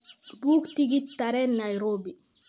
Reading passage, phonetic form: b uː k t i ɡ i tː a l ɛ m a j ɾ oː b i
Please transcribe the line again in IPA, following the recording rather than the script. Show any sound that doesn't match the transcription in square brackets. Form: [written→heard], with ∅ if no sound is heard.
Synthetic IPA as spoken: b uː k t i ɡ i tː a [l→ɾ] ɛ [m→n] a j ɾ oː b i